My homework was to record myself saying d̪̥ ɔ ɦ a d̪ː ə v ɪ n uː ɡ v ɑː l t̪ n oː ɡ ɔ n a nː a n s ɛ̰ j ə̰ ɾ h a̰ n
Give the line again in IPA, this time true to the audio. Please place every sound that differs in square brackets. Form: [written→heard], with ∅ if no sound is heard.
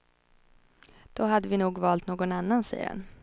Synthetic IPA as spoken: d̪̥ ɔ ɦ a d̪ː ə v ɪ n uː ɡ v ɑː l t̪ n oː ɡ ɔ n a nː a n s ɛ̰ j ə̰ ɾ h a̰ n